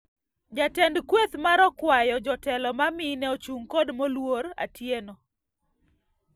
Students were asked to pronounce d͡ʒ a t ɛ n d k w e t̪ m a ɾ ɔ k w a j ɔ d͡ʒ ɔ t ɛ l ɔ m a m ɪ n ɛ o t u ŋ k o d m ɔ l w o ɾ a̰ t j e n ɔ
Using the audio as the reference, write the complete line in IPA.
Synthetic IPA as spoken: d͡ʒ a t ɛ n d k w e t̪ m a ɾ ɔ k w a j ɔ d͡ʒ ɔ t ɛ l ɔ m a m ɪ n ɛ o t͡ʃ u ŋ k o d m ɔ l w o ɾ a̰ t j e n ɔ